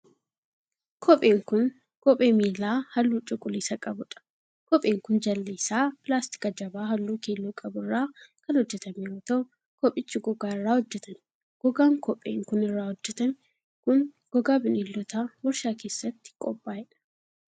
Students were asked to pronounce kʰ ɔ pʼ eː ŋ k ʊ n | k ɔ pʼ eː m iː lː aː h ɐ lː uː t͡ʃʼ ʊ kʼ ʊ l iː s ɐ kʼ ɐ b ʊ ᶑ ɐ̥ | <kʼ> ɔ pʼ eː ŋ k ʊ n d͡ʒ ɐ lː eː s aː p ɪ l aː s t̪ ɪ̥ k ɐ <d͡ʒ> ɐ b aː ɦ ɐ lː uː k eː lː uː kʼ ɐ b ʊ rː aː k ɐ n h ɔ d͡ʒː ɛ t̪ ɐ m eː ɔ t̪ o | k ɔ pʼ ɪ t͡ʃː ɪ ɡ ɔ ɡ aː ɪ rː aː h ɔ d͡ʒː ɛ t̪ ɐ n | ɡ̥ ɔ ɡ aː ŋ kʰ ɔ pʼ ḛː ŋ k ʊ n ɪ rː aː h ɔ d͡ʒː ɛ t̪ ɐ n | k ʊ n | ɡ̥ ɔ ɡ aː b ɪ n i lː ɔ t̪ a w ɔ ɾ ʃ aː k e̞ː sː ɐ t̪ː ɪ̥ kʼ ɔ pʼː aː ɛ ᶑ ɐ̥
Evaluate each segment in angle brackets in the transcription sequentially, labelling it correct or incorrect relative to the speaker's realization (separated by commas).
incorrect, correct